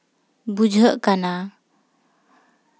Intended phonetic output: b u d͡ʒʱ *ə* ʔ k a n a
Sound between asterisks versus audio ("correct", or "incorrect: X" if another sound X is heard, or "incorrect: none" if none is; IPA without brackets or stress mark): correct